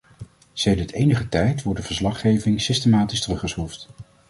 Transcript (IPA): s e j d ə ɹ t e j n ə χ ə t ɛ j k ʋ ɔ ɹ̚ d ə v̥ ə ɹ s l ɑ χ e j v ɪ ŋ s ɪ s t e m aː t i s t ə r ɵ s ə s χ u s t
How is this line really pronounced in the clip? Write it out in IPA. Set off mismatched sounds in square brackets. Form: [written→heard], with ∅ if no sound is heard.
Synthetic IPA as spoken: s e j d ə ɹ t e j n ə χ ə t ɛ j [k→t] ʋ ɔ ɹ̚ d ə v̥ ə ɹ s l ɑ χ e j v ɪ ŋ s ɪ s t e m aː t i s t ə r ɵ [s→χ] ə s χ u [s→f] t